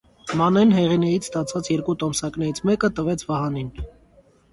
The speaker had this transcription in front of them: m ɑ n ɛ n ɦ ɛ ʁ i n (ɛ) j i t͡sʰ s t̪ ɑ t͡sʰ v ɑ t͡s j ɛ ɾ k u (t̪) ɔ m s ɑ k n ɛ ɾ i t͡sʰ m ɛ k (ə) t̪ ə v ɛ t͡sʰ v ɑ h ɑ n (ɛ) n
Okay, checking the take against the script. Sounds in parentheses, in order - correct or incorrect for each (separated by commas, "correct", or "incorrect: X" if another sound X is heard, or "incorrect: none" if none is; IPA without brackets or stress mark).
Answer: correct, correct, correct, incorrect: i